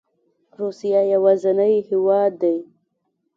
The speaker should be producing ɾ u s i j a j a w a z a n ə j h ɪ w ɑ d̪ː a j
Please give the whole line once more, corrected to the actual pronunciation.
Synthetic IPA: ɾ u s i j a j a w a z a n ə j h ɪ w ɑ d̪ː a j